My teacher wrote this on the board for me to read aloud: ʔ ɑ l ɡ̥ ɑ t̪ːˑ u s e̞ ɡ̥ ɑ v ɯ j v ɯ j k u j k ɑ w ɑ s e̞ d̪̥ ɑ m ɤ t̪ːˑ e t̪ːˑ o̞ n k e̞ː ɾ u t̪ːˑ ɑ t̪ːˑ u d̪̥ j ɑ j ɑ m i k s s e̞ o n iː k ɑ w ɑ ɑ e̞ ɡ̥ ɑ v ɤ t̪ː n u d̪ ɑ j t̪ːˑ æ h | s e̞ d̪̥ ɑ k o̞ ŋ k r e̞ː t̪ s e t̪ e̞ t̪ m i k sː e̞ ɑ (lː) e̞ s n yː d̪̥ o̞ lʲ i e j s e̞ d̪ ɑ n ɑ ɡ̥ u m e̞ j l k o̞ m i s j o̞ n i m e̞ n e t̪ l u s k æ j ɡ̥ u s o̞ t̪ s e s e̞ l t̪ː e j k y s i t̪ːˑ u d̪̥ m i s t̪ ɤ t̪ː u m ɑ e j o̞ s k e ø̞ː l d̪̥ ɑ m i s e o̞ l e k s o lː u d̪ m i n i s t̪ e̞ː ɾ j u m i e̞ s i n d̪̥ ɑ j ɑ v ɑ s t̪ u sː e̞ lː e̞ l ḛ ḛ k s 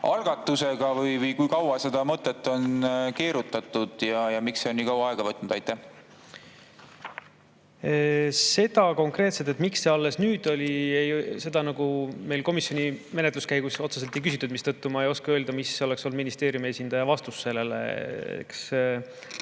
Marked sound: correct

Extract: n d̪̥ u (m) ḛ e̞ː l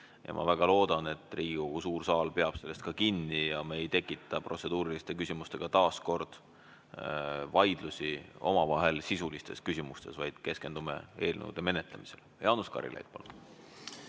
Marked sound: correct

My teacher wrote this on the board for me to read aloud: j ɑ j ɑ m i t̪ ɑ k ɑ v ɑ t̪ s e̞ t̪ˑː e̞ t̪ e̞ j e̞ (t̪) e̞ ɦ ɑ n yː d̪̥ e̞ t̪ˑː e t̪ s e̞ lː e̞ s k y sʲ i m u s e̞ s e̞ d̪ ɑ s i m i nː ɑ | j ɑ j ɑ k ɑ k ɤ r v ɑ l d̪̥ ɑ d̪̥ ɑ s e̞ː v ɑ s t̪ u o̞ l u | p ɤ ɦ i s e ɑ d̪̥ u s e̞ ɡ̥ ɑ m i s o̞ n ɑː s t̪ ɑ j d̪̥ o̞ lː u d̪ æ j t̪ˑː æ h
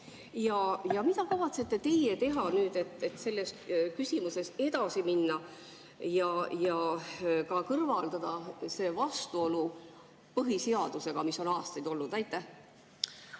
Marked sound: correct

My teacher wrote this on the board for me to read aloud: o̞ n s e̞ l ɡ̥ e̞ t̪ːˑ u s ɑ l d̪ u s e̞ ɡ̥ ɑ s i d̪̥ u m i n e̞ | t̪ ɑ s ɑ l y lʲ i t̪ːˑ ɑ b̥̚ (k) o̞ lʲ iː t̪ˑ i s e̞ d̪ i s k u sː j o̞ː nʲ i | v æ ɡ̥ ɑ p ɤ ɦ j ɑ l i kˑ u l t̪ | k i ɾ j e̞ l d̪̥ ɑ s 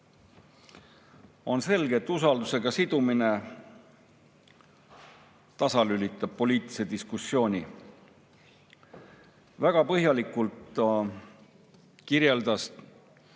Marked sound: incorrect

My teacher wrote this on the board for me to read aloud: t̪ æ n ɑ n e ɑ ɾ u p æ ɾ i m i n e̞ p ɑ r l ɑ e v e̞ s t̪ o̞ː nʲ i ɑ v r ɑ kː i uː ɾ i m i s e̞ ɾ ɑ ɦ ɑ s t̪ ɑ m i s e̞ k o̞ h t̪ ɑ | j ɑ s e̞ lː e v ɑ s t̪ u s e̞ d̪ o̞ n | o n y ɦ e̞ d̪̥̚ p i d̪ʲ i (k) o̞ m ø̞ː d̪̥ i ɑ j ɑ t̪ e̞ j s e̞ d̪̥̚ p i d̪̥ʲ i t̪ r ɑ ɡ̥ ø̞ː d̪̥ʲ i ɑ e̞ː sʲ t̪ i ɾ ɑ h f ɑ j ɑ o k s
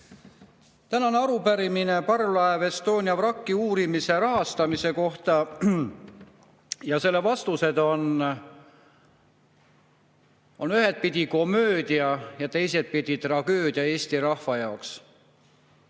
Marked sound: correct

